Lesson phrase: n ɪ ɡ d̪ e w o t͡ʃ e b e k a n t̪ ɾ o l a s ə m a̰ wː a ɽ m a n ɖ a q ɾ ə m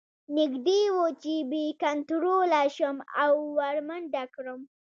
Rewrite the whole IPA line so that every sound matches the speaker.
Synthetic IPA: n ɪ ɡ d̪ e w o t͡ʃ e b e k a n t̪ ɾ o l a ʃ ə m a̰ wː a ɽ m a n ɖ a k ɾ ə m